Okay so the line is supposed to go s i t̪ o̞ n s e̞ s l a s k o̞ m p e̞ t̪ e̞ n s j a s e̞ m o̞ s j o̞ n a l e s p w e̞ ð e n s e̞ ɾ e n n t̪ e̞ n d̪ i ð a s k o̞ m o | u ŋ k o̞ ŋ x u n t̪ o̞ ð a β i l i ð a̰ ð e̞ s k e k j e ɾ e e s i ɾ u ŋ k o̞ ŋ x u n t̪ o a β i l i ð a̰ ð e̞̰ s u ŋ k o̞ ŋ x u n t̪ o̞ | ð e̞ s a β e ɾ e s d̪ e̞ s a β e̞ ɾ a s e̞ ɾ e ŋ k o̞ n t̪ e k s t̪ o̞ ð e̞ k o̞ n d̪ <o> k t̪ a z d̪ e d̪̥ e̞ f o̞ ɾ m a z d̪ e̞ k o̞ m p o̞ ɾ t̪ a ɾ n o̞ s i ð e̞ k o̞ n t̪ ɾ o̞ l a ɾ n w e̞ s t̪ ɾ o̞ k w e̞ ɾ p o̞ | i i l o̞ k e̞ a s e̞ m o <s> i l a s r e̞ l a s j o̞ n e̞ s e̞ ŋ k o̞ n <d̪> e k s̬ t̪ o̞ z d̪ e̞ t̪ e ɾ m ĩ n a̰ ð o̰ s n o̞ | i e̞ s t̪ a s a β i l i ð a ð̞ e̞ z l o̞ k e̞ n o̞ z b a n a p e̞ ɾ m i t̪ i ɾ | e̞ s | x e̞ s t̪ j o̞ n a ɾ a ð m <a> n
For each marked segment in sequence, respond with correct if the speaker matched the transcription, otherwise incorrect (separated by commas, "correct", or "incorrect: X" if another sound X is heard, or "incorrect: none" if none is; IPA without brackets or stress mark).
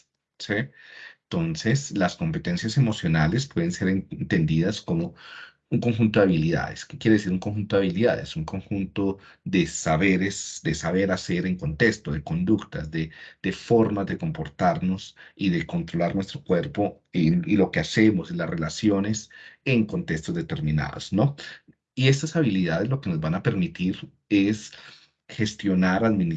incorrect: u, correct, incorrect: t̪, incorrect: i